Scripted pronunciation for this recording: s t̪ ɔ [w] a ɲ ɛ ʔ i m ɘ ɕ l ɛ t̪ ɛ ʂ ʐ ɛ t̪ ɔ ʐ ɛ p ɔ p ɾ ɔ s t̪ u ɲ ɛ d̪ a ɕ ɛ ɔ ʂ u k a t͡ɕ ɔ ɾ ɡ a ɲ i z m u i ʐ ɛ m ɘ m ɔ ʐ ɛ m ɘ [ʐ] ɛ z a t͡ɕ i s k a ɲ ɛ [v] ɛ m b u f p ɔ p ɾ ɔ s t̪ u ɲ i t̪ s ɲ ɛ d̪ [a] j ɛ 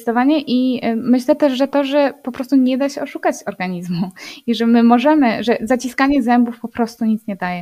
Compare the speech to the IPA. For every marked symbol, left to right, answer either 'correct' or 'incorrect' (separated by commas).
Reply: incorrect, correct, incorrect, correct